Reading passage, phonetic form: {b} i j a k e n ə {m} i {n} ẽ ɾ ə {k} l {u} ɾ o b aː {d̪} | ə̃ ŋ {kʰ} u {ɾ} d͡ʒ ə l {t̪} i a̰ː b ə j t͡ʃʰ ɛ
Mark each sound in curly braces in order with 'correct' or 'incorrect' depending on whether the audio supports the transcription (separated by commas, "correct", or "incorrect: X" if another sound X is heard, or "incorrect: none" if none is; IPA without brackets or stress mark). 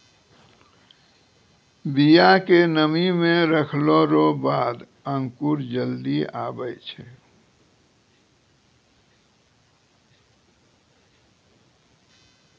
correct, correct, incorrect: m, incorrect: kʰ, incorrect: o, correct, incorrect: k, correct, incorrect: d̪